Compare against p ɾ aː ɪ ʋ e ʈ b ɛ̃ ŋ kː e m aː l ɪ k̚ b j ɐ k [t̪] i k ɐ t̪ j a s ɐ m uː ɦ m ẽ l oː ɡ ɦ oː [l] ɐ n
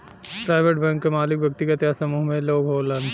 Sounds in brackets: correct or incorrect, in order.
correct, correct

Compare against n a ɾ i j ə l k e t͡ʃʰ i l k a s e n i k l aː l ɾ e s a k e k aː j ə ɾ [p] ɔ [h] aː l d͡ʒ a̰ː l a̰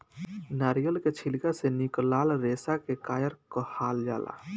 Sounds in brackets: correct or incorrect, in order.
incorrect, correct

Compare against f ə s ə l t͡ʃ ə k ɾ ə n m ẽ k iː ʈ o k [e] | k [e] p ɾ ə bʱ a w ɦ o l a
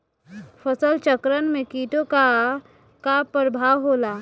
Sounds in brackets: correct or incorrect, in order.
incorrect, incorrect

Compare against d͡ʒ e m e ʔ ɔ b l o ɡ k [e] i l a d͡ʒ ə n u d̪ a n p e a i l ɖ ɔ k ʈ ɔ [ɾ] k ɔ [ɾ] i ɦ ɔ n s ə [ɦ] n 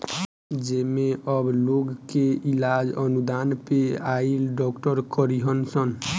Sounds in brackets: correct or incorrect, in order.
correct, correct, correct, incorrect

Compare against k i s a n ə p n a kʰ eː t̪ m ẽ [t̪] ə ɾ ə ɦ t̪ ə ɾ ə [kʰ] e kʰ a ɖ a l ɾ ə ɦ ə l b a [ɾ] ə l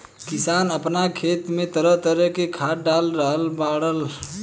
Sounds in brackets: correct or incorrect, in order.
correct, incorrect, incorrect

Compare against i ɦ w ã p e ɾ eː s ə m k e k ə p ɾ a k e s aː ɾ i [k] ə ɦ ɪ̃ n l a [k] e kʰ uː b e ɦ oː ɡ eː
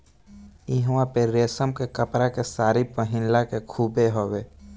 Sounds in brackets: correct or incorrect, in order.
incorrect, correct

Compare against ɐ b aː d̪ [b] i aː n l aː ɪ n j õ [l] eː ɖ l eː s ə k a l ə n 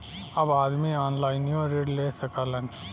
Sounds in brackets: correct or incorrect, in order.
incorrect, incorrect

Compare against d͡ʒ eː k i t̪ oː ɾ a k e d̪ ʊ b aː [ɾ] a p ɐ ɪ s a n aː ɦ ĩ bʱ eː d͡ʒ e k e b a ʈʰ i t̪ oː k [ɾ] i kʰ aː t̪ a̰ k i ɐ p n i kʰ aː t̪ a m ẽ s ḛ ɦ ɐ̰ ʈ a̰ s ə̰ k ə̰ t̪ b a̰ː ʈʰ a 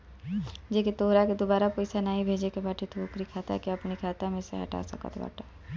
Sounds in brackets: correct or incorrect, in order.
correct, correct

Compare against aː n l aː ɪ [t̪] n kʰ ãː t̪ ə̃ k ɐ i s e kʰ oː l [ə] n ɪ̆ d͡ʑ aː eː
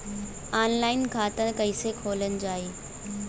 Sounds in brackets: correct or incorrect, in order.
incorrect, correct

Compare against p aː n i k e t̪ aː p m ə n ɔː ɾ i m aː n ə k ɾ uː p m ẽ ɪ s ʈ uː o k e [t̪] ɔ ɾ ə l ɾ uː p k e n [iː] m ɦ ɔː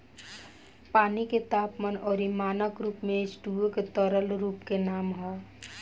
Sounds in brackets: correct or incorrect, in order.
correct, incorrect

